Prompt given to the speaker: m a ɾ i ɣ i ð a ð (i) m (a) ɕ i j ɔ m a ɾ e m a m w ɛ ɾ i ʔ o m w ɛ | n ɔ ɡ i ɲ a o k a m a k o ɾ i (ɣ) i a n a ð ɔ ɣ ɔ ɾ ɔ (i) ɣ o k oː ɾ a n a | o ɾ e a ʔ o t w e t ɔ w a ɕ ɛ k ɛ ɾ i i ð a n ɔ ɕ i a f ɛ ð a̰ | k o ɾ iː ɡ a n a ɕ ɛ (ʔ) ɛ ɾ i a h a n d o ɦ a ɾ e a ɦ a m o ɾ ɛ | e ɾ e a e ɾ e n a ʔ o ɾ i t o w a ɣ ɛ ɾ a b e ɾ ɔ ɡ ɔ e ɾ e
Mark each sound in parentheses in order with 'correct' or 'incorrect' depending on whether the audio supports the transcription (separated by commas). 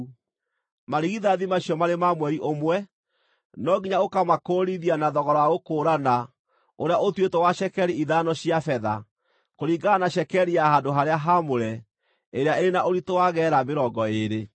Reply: correct, correct, incorrect, incorrect, incorrect